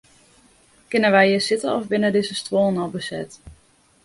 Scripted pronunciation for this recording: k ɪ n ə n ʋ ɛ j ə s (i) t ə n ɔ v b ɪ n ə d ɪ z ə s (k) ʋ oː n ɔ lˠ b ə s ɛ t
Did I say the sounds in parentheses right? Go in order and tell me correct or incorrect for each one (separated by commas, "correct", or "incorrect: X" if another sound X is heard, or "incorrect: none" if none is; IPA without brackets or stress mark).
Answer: incorrect: ɪ, incorrect: t